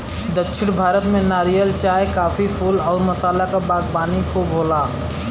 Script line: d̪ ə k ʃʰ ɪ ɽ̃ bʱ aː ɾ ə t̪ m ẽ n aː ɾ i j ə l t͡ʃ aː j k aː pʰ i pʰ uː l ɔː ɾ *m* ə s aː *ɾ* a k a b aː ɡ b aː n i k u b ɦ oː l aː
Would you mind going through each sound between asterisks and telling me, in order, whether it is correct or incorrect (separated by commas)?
correct, incorrect